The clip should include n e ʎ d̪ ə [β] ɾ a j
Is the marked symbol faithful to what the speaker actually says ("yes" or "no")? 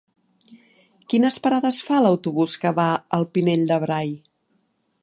yes